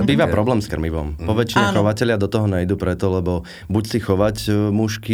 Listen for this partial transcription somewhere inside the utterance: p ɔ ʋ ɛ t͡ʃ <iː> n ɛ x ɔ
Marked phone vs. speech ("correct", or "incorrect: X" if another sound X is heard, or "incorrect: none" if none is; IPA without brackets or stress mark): incorrect: i